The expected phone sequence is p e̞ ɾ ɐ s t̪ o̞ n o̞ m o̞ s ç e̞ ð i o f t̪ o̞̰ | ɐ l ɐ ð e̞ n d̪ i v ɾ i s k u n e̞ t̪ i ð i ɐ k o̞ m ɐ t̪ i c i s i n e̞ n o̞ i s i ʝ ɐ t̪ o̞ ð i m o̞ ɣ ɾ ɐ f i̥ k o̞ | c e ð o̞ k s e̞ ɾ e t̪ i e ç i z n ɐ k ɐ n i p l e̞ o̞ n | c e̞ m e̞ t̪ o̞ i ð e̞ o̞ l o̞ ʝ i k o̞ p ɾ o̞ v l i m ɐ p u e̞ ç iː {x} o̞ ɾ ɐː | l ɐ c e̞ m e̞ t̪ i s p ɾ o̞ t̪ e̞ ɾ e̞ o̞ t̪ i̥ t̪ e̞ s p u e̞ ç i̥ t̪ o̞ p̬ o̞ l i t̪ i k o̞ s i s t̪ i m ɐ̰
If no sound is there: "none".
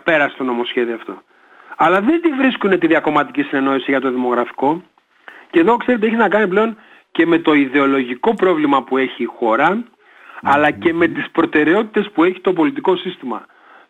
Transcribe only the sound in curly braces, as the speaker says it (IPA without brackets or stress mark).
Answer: x